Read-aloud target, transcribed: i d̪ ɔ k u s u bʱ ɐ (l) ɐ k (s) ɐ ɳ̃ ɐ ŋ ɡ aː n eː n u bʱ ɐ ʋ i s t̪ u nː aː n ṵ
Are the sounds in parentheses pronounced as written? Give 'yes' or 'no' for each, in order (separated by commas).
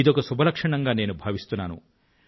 yes, no